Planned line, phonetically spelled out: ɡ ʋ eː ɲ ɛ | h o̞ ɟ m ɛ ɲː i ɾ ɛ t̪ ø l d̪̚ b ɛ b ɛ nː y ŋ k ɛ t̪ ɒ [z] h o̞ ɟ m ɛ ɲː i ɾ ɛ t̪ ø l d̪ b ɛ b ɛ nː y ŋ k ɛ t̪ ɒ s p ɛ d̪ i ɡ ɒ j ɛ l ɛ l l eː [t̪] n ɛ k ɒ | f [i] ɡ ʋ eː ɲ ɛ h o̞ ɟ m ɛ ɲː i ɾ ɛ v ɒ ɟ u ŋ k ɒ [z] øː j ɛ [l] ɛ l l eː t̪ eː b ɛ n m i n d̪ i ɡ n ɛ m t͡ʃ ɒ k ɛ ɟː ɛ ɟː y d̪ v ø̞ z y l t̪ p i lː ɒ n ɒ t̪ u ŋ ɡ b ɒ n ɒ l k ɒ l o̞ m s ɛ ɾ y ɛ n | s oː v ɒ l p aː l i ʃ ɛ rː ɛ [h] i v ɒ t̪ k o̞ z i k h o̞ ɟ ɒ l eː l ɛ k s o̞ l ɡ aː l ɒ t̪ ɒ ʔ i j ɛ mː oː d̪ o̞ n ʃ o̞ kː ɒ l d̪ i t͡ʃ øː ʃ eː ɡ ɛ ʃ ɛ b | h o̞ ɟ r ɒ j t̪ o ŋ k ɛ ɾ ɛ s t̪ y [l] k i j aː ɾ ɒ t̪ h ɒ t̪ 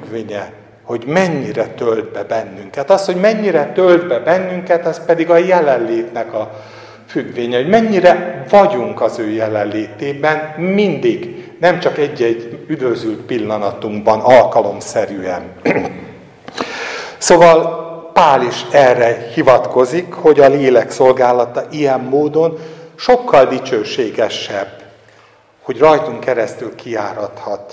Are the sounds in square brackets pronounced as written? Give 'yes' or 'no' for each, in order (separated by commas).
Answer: no, yes, no, yes, yes, yes, yes